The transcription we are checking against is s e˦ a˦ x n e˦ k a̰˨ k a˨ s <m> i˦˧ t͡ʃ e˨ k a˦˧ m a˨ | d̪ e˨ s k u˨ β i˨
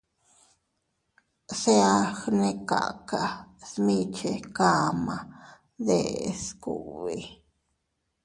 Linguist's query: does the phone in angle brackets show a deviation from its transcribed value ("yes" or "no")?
no